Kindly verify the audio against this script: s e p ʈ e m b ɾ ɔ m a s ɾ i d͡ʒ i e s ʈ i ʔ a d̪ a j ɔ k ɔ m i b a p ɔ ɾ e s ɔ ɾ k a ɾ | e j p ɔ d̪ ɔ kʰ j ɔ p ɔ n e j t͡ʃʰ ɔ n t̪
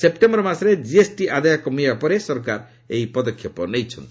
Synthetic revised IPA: s e p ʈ e m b ɾ ɔ m a s ɾ e d͡ʒ i e s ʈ i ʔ a d̪ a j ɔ k ɔ m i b a p ɔ ɾ e s ɔ ɾ k a ɾ | e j p ɔ d̪ ɔ kʰ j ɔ p ɔ n e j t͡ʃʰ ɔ n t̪